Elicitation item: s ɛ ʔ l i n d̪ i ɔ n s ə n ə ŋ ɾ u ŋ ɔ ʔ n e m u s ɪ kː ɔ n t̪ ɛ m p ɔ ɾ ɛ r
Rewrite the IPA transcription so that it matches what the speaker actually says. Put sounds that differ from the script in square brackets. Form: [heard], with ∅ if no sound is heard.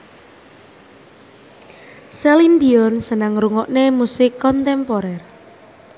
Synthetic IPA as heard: s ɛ [∅] l i n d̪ i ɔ n s ə n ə ŋ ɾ u ŋ ɔ ʔ n e m u s ɪ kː ɔ n t̪ ɛ m p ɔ ɾ ɛ r